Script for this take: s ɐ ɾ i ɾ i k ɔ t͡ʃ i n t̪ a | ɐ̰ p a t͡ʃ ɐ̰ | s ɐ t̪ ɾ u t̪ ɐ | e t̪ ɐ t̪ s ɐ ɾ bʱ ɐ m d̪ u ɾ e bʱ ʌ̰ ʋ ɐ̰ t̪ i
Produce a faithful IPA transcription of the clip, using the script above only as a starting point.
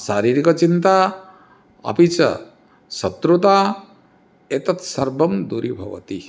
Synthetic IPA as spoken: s a ɾ i ɾ i k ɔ t͡ʃ i n t̪ a | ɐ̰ p i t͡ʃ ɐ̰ | s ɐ t̪ ɾ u t̪ a | e t̪ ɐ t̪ s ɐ ɾ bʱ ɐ m d̪ u ɾ i bʱ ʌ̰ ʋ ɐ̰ t̪ i